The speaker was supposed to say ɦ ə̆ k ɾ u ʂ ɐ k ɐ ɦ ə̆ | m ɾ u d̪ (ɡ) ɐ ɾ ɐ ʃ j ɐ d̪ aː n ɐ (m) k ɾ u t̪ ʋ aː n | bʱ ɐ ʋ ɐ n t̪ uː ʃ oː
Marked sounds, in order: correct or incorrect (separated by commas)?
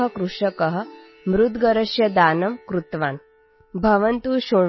correct, correct